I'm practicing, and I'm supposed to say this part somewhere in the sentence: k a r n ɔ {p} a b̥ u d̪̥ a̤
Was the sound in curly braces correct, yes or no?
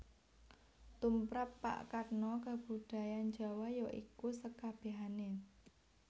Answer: no